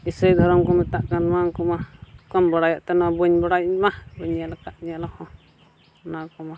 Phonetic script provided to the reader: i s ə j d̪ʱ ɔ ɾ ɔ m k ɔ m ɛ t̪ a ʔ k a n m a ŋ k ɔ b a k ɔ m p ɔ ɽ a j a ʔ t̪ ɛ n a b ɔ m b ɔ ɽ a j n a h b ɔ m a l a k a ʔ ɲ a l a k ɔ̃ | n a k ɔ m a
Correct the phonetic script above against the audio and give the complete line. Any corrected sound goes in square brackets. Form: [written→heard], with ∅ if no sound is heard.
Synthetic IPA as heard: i s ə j d̪ʱ ɔ ɾ ɔ m k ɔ m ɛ t̪ a ʔ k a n m a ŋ k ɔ [b→m] a k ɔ m [p→b] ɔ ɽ a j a ʔ t̪ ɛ n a b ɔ [m→ɲ] b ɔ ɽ a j [n→m] a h b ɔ [m→ɲ] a l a k a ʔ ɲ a l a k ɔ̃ | n a k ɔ m a